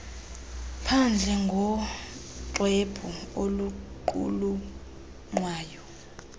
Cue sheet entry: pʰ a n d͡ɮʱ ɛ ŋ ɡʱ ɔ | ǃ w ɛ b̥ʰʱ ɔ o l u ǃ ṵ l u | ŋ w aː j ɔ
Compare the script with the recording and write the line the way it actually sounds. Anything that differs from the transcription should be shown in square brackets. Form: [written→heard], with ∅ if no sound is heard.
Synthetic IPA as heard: pʰ a n d͡ɮʱ ɛ ŋ ɡʱ ɔ | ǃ w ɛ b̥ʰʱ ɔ o l u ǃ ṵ l u | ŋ w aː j ɔ